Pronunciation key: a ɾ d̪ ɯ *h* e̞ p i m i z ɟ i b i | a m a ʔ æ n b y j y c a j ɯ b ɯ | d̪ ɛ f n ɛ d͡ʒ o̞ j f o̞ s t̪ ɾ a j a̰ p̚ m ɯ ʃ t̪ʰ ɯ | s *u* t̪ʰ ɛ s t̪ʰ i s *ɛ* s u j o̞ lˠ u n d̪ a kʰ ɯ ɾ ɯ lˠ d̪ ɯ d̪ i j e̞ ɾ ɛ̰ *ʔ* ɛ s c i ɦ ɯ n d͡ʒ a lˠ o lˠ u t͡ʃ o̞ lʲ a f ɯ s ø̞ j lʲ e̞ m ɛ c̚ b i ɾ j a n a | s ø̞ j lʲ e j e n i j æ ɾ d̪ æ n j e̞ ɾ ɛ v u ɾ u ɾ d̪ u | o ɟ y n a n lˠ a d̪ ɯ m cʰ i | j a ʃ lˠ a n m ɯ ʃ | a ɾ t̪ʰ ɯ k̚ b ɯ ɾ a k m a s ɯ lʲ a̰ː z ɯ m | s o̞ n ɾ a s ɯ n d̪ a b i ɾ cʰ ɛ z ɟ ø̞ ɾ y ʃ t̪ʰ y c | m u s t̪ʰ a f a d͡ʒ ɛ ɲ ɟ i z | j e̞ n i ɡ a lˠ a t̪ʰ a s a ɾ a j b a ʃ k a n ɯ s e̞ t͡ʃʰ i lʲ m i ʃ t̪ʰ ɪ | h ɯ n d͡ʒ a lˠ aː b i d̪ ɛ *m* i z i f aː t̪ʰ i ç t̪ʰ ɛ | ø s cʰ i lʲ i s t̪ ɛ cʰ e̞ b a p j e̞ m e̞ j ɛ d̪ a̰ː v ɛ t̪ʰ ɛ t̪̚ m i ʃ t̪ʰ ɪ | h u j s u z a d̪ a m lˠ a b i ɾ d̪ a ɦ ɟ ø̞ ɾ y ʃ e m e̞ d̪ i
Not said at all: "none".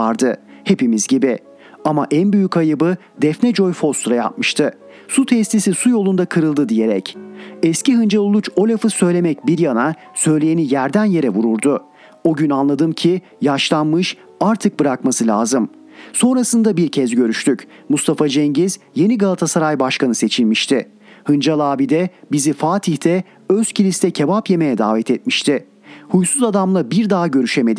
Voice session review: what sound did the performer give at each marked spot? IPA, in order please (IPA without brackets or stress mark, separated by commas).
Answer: h, u, i, c, b